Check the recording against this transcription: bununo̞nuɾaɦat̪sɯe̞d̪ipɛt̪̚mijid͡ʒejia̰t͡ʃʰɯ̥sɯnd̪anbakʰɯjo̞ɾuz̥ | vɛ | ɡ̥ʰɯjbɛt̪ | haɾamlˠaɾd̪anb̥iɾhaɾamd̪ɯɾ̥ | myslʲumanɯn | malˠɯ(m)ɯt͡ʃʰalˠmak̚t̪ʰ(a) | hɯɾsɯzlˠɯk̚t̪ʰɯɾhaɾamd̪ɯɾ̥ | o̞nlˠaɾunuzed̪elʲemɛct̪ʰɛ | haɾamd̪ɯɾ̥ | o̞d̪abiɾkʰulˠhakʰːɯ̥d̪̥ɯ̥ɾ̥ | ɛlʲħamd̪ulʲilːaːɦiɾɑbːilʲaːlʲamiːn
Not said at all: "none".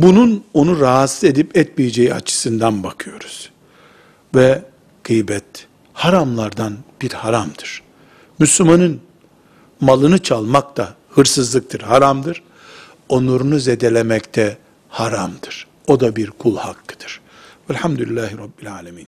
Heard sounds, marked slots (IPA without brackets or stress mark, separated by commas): n, a